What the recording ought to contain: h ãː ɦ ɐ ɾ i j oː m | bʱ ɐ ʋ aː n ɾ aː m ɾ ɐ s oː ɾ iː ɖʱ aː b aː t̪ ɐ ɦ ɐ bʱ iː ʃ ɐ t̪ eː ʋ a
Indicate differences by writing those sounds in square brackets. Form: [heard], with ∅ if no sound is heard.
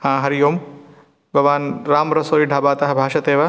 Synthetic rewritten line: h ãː ɦ ɐ ɾ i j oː m | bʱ ɐ ʋ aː n ɾ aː m ɾ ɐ s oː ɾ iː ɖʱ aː b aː t̪ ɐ ɦ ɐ bʱ [aː] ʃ ɐ t̪ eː ʋ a